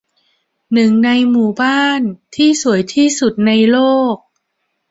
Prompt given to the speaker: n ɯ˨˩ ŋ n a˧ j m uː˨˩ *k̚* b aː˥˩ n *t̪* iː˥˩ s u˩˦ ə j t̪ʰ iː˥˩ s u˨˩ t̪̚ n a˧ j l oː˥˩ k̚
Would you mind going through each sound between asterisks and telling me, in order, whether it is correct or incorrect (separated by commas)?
incorrect, incorrect